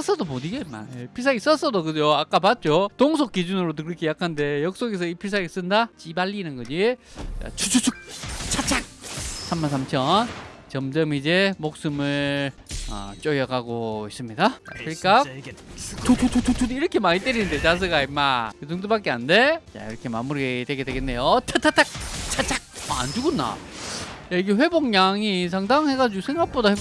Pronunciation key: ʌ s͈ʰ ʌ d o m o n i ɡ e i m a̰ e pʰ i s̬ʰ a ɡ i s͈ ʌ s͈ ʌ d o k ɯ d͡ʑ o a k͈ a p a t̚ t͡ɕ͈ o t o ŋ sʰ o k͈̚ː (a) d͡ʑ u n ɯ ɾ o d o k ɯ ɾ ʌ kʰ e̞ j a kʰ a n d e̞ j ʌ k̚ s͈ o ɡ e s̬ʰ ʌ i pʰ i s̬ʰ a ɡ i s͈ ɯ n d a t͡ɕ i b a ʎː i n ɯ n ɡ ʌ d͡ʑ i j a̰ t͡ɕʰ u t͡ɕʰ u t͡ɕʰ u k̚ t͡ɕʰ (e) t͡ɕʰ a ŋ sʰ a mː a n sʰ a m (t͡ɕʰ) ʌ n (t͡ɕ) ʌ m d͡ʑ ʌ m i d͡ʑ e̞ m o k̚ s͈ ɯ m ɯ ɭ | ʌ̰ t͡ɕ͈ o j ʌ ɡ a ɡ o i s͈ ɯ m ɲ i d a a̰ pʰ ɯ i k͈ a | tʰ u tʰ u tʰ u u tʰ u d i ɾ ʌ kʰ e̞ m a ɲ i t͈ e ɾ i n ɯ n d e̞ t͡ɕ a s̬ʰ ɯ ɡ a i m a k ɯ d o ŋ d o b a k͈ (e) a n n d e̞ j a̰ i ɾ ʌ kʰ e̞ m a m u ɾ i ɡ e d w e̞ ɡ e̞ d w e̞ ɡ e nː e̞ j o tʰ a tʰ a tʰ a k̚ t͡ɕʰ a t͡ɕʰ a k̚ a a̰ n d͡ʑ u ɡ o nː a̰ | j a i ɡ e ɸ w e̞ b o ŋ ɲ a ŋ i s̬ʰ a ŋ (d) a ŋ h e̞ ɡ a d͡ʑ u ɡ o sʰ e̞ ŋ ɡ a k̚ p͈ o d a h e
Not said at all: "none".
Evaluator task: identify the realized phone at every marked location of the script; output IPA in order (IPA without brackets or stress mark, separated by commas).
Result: i, a, t͡ɕʰ, t͡ɕ, e, d